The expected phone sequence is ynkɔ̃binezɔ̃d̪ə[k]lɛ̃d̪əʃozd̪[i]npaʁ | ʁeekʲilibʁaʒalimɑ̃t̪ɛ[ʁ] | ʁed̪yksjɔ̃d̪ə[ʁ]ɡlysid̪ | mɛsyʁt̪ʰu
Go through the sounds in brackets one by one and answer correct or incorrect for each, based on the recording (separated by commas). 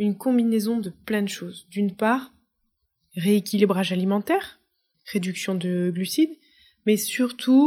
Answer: incorrect, incorrect, correct, incorrect